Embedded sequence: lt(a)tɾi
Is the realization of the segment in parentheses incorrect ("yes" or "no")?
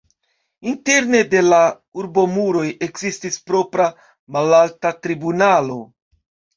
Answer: no